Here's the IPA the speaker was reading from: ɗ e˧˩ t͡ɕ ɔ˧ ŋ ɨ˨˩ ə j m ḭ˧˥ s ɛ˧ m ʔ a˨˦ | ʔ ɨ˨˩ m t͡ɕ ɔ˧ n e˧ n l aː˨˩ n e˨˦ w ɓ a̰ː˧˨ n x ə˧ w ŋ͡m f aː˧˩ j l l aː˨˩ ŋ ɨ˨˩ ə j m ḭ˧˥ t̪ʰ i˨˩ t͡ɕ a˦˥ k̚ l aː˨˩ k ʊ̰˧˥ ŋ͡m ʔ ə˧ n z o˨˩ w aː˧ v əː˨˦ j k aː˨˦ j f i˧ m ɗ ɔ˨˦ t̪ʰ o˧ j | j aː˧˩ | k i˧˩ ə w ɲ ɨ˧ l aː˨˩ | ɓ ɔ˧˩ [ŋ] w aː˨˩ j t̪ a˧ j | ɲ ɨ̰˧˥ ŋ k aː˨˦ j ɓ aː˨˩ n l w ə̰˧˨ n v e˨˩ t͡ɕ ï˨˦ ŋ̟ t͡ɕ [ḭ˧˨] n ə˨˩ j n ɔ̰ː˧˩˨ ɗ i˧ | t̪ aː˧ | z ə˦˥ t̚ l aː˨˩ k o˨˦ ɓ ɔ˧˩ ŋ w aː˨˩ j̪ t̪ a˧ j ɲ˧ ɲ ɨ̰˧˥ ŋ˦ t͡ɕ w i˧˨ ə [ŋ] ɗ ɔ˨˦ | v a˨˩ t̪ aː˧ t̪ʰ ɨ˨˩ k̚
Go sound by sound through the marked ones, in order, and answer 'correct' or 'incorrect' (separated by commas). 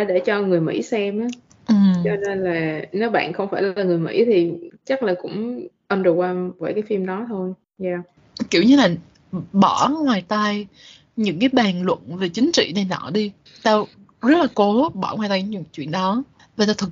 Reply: correct, correct, incorrect